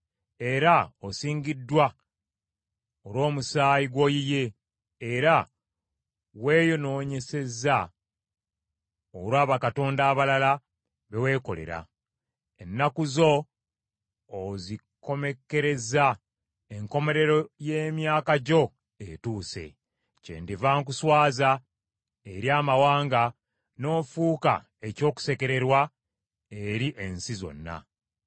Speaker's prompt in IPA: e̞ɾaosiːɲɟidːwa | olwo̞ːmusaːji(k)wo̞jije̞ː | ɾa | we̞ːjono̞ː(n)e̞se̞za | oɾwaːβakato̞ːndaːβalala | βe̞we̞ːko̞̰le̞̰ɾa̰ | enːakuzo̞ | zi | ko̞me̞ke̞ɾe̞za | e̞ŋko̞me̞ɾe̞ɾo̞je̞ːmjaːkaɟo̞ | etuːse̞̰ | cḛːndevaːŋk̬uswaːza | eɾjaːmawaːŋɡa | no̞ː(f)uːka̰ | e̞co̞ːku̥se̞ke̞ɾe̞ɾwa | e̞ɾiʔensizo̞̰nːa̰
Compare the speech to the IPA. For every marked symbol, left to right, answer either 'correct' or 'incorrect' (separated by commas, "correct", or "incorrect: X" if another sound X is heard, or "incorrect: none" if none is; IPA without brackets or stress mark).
incorrect: ɡ, incorrect: ɲ, correct